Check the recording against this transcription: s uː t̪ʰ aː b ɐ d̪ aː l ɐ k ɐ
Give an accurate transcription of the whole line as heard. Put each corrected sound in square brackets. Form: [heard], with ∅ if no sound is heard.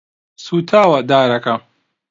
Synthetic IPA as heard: s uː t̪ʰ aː [w] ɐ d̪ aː [ɾ] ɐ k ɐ